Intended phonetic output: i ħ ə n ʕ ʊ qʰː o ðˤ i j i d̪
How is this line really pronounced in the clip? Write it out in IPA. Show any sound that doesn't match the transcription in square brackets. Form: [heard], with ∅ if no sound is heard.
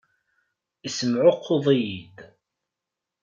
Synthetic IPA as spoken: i [s] ə [m] ʕ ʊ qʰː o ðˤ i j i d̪